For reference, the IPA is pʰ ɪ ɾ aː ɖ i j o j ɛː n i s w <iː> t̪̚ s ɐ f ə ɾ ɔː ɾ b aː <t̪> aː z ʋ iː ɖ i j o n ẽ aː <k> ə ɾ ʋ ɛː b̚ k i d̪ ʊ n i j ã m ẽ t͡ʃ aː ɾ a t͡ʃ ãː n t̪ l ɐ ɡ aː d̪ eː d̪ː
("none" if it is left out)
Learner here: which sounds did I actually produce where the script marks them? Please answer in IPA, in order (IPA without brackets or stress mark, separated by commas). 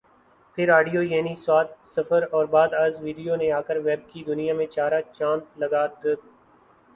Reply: aː, d̪, k